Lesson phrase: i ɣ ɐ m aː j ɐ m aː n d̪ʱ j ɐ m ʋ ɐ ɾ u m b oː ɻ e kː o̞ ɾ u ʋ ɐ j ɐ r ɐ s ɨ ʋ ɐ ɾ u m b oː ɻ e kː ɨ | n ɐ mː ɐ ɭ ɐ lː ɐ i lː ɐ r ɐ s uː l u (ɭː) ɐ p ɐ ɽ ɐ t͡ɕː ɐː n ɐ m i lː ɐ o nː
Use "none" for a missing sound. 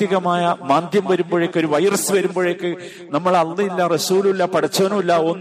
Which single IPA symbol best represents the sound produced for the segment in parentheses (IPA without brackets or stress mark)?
lː